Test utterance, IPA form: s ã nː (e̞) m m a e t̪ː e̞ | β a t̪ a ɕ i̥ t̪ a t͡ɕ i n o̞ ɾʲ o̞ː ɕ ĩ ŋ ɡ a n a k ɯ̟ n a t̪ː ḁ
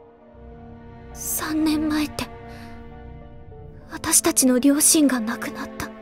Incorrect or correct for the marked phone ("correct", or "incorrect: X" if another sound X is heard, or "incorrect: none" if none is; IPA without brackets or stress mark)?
incorrect: ẽ̞